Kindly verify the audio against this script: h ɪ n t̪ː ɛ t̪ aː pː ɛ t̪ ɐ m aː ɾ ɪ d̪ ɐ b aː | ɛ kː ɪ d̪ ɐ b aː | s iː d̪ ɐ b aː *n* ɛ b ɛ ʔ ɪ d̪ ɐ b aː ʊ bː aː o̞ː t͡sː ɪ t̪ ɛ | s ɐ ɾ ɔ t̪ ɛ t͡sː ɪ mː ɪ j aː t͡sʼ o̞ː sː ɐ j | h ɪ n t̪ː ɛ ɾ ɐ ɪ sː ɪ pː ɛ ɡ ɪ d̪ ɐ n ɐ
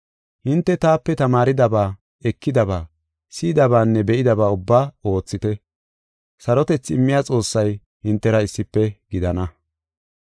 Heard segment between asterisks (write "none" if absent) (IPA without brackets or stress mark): nː